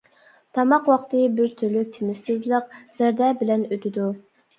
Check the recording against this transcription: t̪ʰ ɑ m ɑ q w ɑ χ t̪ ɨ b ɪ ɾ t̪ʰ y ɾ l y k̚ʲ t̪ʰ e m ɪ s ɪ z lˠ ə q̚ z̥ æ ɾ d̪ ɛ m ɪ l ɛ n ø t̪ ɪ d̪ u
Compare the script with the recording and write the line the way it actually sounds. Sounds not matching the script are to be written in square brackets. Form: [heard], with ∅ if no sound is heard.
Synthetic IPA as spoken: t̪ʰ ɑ m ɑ q w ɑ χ t̪ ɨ b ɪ ɾ t̪ʰ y ɾ l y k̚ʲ t̪ʰ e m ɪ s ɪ z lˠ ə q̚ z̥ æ ɾ d̪ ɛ [b] ɪ l ɛ n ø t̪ ɪ d̪ u